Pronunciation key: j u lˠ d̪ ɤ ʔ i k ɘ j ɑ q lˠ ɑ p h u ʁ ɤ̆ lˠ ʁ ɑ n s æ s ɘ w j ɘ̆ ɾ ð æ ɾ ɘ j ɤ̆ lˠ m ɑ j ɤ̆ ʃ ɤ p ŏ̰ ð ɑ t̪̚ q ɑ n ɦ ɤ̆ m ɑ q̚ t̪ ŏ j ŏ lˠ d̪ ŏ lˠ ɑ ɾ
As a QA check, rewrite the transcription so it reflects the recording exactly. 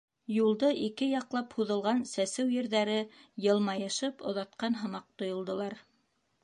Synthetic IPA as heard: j u lˠ d̪ ɤ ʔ i k ɘ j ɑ q lˠ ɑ p h u ð ɤ̆ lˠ ʁ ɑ n s æ s ɘ w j ɘ̆ ɾ ð æ ɾ ɘ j ɤ̆ lˠ m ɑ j ɤ̆ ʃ ɤ p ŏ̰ ð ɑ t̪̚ q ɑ n ɦ ɤ̆ m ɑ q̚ t̪ ŏ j ŏ lˠ d̪ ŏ lˠ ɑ ɾ